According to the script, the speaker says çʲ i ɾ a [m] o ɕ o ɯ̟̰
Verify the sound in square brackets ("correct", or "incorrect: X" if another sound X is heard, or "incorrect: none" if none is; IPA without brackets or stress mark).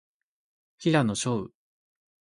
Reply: incorrect: n